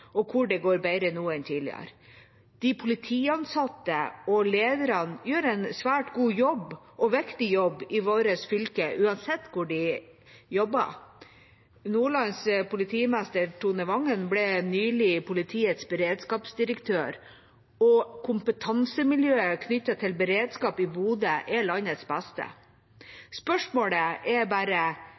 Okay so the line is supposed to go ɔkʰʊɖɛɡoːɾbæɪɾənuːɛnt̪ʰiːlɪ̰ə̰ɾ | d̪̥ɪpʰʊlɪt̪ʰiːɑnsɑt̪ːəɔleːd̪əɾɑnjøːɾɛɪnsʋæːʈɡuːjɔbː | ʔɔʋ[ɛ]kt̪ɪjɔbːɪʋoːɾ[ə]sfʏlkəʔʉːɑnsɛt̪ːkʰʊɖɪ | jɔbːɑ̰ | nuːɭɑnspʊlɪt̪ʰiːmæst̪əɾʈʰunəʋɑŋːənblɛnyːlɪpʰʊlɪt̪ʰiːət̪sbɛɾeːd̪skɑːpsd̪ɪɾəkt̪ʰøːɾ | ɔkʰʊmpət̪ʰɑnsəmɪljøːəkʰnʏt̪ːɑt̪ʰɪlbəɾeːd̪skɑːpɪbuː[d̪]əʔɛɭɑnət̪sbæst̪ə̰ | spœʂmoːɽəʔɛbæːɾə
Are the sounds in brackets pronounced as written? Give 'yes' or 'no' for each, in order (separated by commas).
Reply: yes, yes, yes